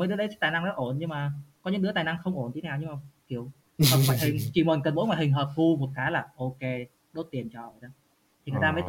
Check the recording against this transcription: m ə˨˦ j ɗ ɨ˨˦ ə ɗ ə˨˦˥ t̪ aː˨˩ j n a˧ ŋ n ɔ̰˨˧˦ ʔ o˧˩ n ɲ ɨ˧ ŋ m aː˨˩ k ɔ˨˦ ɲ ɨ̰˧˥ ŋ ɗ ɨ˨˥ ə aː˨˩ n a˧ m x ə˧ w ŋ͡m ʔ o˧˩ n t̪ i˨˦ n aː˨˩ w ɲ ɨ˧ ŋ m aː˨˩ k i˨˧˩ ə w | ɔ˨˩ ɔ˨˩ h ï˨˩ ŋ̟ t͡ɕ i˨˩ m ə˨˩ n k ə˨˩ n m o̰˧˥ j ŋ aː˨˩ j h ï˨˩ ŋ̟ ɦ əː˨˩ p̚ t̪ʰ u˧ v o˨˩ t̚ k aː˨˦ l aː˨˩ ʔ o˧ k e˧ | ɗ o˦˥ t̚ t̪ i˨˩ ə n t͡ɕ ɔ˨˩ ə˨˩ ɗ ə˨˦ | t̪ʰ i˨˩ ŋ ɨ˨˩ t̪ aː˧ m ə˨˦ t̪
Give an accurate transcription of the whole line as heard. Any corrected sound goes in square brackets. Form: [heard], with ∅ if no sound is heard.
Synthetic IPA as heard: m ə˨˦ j ɗ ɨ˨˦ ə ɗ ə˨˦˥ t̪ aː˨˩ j n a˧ ŋ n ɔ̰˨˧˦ ʔ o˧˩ n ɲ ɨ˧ ŋ m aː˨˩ k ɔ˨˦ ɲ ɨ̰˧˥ ŋ ɗ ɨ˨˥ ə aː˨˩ n a˧ [ŋ] x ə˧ w ŋ͡m ʔ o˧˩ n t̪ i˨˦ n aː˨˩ w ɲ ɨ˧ ŋ m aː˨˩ k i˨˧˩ ə w | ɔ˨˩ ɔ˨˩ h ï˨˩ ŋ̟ t͡ɕ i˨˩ m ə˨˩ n k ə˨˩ n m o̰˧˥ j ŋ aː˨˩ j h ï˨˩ ŋ̟ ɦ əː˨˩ p̚ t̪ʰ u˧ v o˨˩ t̚ k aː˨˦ l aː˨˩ ʔ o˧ k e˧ | ɗ o˦˥ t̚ t̪ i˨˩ ə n t͡ɕ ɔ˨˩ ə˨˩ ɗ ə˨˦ | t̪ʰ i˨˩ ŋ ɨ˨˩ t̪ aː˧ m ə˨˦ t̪